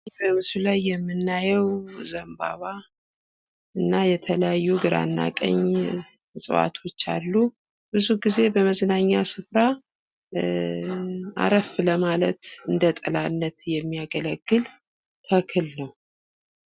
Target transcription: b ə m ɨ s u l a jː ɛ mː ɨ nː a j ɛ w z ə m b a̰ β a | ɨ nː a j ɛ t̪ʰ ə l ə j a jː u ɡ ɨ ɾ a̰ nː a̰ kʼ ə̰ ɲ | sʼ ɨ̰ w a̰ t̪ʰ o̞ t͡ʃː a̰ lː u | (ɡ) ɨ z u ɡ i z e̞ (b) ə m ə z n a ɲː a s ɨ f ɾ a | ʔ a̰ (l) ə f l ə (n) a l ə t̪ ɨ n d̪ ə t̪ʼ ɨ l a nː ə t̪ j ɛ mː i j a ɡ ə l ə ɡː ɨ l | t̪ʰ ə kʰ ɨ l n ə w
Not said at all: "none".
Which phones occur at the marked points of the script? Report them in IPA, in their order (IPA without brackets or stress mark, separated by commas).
b, b, ɾ, m